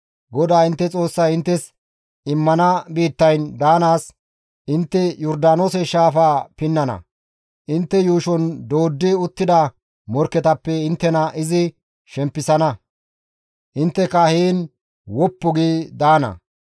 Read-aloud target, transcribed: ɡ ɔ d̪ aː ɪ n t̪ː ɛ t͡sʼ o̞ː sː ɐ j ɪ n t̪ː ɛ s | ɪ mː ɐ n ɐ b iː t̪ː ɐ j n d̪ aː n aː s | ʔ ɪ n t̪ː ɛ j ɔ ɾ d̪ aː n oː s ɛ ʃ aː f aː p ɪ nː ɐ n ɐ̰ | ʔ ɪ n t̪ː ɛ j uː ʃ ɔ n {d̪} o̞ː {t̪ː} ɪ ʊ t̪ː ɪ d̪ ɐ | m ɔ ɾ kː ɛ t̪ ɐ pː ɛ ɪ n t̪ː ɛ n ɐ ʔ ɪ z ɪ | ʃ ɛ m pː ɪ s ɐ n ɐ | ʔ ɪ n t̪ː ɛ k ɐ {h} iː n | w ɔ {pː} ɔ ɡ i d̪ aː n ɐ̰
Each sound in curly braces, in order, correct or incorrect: correct, incorrect: d̪ː, correct, correct

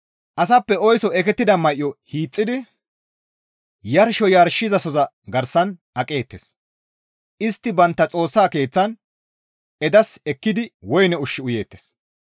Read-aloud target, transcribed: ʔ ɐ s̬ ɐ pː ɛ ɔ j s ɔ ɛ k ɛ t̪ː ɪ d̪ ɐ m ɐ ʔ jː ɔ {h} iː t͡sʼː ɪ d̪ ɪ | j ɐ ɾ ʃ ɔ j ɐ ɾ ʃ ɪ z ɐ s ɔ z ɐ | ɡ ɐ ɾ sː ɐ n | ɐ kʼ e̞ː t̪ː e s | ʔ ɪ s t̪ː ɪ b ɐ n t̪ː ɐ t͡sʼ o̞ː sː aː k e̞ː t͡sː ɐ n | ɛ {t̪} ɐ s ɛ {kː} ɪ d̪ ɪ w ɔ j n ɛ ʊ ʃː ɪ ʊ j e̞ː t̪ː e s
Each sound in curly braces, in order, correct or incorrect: correct, incorrect: d̪, correct

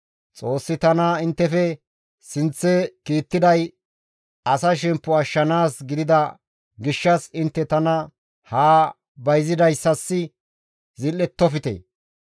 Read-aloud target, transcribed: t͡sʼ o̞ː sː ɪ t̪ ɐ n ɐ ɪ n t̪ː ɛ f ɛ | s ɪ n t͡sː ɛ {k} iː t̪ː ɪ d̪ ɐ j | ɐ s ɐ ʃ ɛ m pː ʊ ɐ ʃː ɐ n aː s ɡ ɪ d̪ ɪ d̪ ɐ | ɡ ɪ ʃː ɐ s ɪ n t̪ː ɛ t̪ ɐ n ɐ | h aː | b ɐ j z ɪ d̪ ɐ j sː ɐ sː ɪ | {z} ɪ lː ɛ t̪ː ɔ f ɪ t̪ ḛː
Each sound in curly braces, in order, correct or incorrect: correct, correct

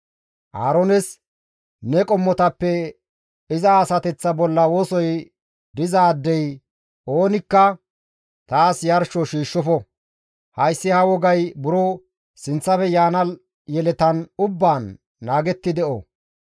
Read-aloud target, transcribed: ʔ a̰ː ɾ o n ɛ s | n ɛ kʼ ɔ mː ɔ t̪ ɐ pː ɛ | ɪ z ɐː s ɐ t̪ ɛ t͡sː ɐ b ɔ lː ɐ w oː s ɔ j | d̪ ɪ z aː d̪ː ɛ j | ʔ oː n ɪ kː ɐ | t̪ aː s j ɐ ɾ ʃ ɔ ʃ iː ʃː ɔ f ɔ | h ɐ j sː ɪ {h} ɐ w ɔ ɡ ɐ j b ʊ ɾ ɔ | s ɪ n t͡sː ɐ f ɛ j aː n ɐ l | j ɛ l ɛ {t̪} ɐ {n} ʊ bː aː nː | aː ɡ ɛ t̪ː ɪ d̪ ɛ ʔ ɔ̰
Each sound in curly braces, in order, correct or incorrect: correct, correct, correct

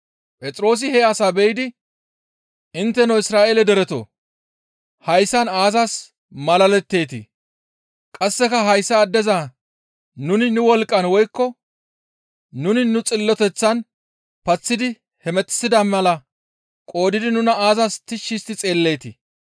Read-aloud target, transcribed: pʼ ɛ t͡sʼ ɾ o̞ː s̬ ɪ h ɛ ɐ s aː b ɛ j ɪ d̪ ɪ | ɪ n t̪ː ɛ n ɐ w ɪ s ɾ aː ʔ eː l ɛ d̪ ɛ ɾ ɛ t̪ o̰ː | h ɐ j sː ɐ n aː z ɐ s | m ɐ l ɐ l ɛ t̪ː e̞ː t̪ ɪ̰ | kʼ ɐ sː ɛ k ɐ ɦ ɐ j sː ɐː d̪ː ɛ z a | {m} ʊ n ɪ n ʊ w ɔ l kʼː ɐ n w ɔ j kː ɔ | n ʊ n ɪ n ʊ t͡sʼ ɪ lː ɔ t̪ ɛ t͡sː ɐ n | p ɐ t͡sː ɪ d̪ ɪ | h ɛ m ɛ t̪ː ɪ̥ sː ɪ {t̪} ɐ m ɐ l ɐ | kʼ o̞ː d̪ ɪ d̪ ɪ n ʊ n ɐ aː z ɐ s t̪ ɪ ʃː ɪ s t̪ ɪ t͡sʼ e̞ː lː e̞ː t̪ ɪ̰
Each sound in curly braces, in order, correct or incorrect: incorrect: n, incorrect: d̪

